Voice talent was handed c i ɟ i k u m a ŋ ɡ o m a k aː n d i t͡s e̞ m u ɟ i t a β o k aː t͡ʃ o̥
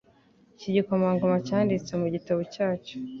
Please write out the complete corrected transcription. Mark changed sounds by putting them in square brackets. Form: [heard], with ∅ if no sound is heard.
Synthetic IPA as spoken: c i ɟ i k [o] m a ŋ ɡ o m a [c] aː n d i t͡s e̞ m u ɟ i t a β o [c] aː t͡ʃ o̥

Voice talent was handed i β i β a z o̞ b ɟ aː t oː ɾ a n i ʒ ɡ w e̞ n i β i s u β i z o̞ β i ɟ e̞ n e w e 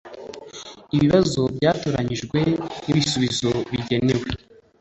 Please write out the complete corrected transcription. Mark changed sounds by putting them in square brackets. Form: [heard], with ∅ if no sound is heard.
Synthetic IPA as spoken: i β i β a z o̞ b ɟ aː t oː ɾ a [ɲ] i ʒ ɡ w e̞ n i β i s u β i z o̞ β i ɟ e̞ n e w e

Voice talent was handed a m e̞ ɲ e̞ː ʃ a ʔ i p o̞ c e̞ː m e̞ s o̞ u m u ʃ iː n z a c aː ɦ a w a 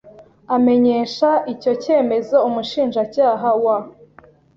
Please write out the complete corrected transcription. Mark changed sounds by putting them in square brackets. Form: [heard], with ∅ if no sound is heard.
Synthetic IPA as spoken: a m e̞ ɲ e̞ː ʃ a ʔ i [c] o̞ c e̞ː m e̞ [z] o̞ u m u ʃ iː n [ʒ] a c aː ɦ a w a

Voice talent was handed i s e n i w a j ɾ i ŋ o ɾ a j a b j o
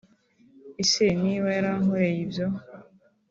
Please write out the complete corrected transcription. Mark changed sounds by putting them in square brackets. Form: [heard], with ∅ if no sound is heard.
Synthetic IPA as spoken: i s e n i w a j ɾ [a] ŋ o ɾ [e] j [i] b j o

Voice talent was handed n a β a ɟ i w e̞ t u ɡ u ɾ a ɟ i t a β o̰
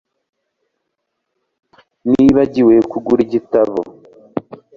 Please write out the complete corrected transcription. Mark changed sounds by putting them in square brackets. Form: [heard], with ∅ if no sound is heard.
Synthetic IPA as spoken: n [i] β a ɟ i w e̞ [k] u ɡ u ɾ [i] ɟ i t a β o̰

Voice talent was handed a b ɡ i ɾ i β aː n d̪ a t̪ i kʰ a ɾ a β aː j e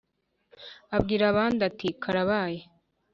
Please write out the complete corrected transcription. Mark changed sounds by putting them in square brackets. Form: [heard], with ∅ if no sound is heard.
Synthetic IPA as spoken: a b ɡ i ɾ [a] β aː n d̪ a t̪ i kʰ a ɾ a β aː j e

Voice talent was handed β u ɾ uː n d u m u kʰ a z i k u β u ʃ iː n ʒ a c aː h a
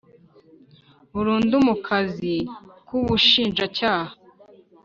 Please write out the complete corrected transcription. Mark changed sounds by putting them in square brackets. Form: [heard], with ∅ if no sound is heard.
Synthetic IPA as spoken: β u ɾ uː n d u m u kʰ a z i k u β u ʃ iː n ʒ a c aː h a

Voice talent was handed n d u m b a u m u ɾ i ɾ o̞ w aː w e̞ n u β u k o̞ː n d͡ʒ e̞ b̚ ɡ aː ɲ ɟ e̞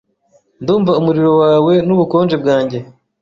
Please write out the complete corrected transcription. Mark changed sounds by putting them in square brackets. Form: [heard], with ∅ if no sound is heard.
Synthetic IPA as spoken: n d [uː] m [v] a u m u ɾ i ɾ o̞ w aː w e̞ n u β u k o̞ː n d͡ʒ e̞ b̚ ɡ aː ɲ ɟ e̞

